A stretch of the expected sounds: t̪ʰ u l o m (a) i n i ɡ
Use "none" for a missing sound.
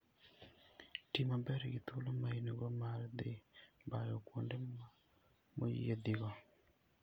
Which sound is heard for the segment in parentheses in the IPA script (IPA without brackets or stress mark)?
a